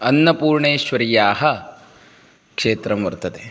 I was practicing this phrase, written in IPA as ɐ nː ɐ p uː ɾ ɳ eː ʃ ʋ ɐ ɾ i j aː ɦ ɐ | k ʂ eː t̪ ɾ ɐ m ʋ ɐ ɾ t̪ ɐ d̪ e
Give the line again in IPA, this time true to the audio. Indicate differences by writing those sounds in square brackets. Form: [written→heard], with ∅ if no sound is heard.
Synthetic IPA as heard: ɐ nː ɐ p uː ɾ ɳ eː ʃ ʋ ɐ ɾ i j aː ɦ ɐ | k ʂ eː t̪ ɾ ɐ m ʋ ɐ ɾ t̪ ɐ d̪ e